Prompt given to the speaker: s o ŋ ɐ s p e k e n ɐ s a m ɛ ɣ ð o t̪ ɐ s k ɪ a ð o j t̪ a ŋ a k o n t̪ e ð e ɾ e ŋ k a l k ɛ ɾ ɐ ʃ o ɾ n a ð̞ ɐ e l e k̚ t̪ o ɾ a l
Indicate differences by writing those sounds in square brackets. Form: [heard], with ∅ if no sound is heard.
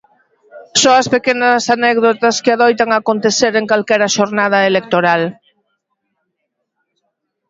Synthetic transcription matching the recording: s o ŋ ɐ s p e k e n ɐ s a [n] ɛ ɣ ð o t̪ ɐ s k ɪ a ð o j t̪ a ŋ a k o n t̪ e [θ] e ɾ e ŋ k a l k ɛ ɾ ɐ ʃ o ɾ n a ð̞ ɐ e l e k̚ t̪ o ɾ a l